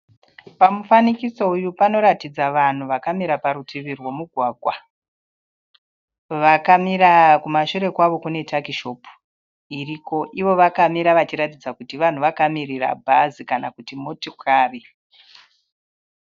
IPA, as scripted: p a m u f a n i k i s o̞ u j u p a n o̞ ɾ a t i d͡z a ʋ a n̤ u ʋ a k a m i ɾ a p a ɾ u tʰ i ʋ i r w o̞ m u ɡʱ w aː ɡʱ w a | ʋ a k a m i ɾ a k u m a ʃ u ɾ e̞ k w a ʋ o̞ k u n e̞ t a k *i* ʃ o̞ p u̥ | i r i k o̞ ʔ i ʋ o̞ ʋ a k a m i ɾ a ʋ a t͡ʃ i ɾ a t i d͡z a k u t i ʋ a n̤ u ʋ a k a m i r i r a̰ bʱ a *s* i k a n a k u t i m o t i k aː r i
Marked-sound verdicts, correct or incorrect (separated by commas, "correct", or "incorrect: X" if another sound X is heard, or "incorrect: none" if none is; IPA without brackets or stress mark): correct, incorrect: z